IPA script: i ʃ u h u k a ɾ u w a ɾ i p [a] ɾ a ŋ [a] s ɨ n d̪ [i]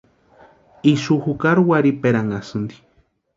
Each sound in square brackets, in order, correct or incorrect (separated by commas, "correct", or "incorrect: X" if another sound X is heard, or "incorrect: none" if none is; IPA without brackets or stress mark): incorrect: e, correct, correct